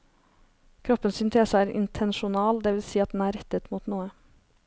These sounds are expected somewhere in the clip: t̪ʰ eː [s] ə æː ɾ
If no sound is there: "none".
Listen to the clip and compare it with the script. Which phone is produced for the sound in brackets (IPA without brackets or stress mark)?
s